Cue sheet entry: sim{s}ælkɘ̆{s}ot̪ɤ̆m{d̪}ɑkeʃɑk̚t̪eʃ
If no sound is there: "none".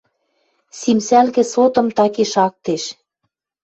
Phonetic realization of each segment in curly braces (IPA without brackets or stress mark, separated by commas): s, s, t̪